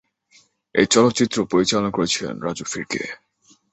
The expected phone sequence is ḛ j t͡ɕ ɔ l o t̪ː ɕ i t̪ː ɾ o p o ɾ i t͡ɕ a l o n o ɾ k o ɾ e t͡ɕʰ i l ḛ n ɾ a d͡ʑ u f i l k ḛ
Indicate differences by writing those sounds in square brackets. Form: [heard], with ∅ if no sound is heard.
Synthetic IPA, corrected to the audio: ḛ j t͡ɕ ɔ l o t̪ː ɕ i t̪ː ɾ o p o ɾ i t͡ɕ a l o n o [∅] k o ɾ e t͡ɕʰ i l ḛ n ɾ a d͡ʑ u f i [ɾ] k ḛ